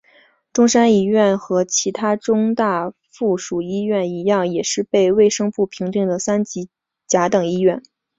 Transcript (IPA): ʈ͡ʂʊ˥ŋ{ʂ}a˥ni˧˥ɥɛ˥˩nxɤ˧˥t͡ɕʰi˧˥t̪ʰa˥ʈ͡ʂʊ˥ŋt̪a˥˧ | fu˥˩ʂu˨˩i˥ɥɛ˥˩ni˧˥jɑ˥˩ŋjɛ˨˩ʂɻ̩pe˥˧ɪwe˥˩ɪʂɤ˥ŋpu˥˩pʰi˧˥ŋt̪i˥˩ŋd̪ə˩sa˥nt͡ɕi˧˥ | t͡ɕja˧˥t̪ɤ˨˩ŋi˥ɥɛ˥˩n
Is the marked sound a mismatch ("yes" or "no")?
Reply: no